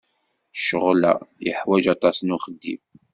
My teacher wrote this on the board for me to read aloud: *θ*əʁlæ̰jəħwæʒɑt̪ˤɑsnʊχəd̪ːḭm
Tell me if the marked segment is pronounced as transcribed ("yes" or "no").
no